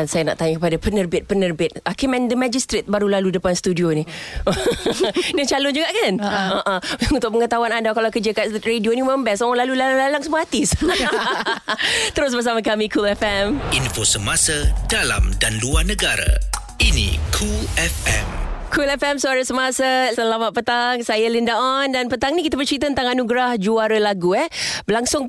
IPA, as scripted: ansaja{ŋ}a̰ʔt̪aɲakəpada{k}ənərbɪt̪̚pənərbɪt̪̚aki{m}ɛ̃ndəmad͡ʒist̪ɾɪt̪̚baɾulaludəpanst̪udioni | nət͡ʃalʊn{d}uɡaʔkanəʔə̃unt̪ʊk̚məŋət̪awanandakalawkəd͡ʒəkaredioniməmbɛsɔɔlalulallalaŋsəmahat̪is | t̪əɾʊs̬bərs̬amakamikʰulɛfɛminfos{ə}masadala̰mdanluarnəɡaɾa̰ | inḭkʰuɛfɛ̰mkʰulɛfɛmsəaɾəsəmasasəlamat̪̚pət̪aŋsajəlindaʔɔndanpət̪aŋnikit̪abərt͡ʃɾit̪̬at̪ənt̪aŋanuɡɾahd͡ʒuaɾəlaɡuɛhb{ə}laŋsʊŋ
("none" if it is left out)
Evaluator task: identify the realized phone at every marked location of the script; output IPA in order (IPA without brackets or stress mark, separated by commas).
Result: n, p, m, d͡ʒ, ə, ə